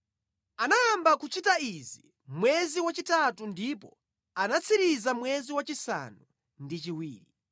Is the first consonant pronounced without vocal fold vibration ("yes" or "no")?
no